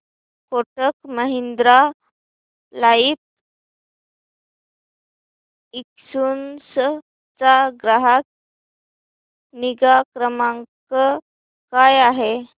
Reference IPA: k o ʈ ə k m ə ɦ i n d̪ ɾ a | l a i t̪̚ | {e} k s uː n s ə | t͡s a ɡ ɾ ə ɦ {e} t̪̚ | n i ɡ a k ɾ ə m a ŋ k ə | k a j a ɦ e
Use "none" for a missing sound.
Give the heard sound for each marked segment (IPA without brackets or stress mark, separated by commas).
i, a